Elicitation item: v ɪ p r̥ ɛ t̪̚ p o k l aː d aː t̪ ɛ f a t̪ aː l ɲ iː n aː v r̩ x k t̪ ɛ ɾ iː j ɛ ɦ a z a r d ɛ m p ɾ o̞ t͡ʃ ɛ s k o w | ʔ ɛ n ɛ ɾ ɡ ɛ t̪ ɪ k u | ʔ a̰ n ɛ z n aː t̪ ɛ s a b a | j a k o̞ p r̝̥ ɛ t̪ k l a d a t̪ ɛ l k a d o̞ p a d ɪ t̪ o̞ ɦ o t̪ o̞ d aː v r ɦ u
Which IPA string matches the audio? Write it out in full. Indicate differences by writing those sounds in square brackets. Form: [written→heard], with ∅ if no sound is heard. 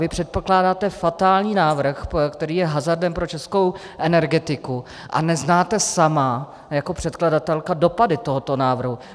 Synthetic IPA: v ɪ p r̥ ɛ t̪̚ p o k l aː d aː t̪ ɛ f a t̪ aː l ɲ iː n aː v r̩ x k t̪ ɛ ɾ iː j ɛ ɦ a z a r d ɛ m p ɾ o̞ t͡ʃ ɛ s k o w | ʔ ɛ n ɛ ɾ ɡ ɛ t̪ ɪ k u | ʔ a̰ n ɛ z n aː t̪ ɛ s a [b→m] a | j a k o̞ p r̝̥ ɛ t̪ k l a d a t̪ ɛ l k a d o̞ p a d ɪ t̪ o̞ ɦ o t̪ o̞ [d→n] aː v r ɦ u